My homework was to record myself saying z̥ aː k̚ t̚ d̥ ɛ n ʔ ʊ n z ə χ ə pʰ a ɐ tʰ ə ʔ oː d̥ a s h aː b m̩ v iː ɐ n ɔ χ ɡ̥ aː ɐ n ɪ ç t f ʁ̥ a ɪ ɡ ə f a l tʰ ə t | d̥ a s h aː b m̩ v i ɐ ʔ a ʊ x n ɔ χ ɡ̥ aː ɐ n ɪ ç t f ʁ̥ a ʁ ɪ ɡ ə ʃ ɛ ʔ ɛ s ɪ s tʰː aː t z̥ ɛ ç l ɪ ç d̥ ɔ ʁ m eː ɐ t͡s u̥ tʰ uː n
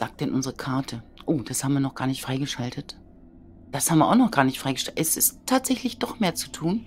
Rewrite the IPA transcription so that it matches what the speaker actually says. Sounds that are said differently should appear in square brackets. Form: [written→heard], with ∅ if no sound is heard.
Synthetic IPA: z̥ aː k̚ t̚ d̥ ɛ n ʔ ʊ n z ə [χ→ʁ] ə [pʰ→kʰ] a ɐ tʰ ə ʔ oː d̥ a s h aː b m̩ v iː ɐ n ɔ χ ɡ̥ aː ɐ n ɪ ç t f ʁ̥ a ɪ ɡ ə [f→ʃ] a l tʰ ə t | d̥ a s h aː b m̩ v i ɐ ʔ a ʊ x n ɔ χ ɡ̥ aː ɐ n ɪ ç t f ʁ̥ a [ʁ→∅] ɪ ɡ ə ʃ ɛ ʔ ɛ s ɪ s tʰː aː t z̥ ɛ ç l ɪ ç d̥ ɔ [ʁ→χ] m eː ɐ t͡s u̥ tʰ uː n

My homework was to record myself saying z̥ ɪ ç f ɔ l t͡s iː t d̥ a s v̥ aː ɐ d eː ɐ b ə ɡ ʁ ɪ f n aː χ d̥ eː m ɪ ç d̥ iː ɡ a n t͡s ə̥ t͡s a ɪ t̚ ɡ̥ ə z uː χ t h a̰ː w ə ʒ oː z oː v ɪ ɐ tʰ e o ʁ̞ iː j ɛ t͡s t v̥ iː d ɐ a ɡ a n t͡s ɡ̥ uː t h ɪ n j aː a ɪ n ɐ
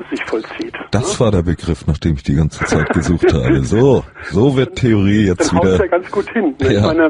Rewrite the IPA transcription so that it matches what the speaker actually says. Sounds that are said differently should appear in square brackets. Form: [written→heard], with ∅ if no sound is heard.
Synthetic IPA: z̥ ɪ ç f ɔ l t͡s iː t d̥ a s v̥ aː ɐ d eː ɐ b ə ɡ ʁ ɪ f n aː χ d̥ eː m ɪ ç d̥ iː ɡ a n t͡s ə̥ t͡s a ɪ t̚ ɡ̥ ə z uː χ t h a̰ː [w→b] ə [ʒ→z] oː z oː v ɪ ɐ tʰ e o ʁ̞ iː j ɛ t͡s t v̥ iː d ɐ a ɡ a n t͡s ɡ̥ uː t h ɪ n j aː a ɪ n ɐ

